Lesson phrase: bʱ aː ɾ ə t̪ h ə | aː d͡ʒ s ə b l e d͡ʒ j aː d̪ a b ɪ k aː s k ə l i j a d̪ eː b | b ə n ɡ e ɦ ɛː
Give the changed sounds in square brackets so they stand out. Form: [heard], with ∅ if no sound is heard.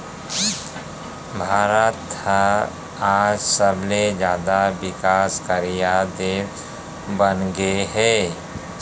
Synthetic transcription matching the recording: bʱ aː ɾ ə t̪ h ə | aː d͡ʒ s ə b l e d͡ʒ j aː d̪ a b ɪ k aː s k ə [ɾ] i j a d̪ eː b | b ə n ɡ e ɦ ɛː